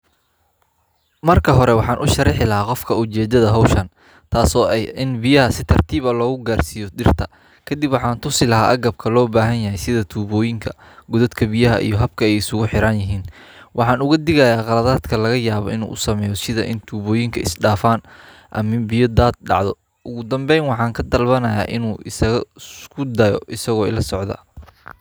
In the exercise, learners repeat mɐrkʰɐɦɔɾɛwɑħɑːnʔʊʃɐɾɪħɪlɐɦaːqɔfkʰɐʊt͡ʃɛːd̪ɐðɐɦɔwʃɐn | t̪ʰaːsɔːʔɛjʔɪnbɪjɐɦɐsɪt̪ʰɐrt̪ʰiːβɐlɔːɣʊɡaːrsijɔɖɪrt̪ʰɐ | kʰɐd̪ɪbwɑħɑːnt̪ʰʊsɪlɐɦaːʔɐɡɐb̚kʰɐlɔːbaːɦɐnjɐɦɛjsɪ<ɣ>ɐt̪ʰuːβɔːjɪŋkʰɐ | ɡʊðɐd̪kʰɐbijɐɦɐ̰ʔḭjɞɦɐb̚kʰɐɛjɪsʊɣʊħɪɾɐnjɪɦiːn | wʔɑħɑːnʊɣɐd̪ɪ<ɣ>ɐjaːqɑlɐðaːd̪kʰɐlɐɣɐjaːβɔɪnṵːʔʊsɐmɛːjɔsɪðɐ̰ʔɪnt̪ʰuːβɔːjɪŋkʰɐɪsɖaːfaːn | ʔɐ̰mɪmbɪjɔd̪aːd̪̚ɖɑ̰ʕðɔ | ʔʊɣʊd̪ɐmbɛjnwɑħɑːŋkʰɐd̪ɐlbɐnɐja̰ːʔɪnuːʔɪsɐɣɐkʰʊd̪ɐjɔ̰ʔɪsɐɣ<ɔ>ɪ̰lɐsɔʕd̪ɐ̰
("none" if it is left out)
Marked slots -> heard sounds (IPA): ð, ɣ, ɔː

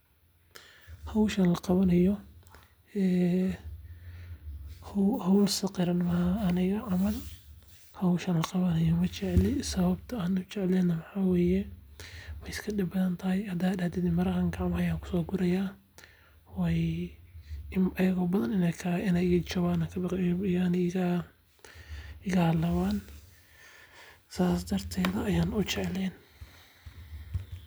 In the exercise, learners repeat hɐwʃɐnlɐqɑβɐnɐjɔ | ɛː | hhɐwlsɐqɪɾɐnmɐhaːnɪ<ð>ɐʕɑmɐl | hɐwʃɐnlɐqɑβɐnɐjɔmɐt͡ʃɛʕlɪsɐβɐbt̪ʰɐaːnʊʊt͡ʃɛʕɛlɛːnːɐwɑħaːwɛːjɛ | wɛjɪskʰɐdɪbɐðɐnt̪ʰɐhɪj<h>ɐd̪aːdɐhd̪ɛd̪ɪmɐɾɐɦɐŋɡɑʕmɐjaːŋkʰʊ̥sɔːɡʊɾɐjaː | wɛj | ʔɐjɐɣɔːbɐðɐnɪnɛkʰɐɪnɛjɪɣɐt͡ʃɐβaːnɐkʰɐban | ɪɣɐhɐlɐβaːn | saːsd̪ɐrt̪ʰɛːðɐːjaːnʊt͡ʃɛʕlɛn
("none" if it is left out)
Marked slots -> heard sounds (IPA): ɣ, h

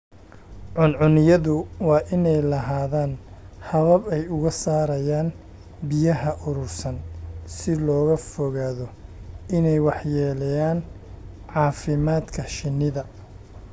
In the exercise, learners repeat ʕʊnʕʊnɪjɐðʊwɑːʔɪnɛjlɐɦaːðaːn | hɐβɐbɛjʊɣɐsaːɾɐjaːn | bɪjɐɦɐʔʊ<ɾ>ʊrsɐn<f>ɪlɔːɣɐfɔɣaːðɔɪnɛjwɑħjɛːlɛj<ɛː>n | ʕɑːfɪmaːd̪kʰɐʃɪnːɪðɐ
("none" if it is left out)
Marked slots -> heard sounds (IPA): ɾ, s, aː

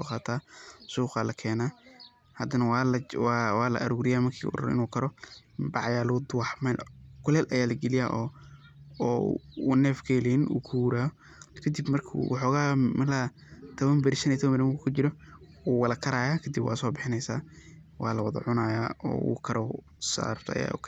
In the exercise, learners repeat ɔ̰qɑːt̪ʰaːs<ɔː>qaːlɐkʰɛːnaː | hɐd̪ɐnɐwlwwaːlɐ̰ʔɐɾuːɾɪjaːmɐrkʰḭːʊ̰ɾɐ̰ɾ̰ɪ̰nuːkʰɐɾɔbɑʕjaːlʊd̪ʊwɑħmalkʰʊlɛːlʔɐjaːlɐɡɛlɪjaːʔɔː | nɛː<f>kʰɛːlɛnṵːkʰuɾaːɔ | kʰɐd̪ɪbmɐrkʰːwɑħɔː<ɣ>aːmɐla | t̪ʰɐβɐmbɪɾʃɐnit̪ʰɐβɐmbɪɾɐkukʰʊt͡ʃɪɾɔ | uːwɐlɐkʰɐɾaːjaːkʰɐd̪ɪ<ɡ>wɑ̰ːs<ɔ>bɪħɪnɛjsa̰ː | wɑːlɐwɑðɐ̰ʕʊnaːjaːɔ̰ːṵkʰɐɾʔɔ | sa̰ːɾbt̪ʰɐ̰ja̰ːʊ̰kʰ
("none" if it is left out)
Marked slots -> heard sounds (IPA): uː, f, ɣ, b, ɔː

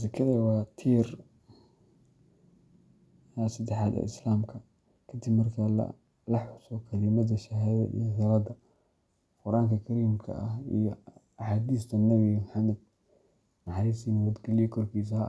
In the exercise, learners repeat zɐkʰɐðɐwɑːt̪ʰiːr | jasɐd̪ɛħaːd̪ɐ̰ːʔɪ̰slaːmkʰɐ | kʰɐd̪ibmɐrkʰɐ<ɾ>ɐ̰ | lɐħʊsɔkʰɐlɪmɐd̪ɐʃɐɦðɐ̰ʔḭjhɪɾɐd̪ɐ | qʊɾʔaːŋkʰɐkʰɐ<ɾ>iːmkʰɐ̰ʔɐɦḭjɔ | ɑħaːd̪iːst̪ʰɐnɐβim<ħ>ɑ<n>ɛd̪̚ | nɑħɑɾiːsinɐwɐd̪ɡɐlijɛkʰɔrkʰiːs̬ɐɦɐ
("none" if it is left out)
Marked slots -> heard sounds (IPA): l, ɾ, ħ, m

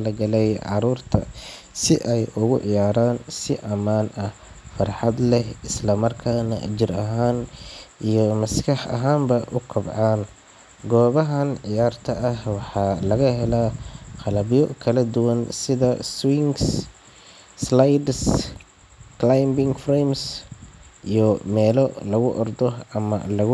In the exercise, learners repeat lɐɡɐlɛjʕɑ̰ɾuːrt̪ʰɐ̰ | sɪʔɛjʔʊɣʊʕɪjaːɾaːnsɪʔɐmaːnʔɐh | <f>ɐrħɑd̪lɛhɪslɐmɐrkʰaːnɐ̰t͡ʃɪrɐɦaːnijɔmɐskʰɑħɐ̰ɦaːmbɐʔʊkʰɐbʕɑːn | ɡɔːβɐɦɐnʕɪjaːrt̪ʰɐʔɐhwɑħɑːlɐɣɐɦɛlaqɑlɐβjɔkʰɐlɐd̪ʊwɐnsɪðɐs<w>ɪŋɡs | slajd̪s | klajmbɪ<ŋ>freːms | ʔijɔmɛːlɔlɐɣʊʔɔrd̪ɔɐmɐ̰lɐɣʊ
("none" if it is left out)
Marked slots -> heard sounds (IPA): f, w, ŋ

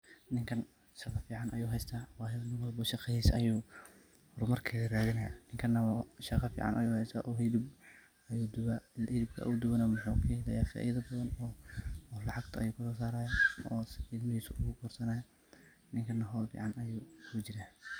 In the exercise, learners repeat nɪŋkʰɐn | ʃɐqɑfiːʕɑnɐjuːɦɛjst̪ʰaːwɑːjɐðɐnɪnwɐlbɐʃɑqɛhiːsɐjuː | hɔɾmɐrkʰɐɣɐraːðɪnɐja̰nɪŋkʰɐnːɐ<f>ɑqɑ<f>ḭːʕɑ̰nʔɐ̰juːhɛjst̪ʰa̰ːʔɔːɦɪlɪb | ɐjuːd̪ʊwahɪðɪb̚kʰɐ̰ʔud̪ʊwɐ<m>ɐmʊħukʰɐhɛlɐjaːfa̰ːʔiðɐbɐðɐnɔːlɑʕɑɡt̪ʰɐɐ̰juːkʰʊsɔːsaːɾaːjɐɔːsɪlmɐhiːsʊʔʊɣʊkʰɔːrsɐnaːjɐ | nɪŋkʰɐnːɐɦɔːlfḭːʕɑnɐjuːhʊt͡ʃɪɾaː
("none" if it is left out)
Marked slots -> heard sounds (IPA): ʃ, f, n

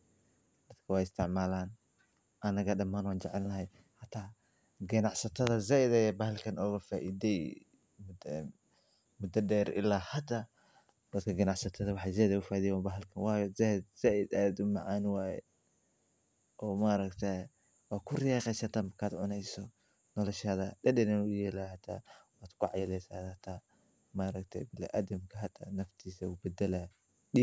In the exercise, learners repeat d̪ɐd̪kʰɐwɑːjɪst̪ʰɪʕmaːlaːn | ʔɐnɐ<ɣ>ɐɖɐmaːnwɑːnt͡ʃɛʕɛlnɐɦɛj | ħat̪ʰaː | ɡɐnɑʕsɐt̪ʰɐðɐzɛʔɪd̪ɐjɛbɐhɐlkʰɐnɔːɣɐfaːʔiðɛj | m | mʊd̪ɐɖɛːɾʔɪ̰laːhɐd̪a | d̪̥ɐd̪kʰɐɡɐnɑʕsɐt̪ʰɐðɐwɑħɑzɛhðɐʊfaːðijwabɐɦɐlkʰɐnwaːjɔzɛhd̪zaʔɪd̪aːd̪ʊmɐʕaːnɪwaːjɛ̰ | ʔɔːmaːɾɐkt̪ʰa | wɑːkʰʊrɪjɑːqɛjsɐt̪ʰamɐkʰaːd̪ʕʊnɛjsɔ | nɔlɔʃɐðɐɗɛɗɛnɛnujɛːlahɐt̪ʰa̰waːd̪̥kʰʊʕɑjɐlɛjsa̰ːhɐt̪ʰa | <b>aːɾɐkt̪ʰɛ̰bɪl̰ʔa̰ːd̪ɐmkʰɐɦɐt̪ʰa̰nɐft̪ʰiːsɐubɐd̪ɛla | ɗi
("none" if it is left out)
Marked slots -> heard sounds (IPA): ɣ, m

